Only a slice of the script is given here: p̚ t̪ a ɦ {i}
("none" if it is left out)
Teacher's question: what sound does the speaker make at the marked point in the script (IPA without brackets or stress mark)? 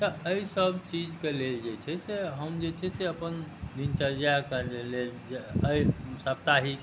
i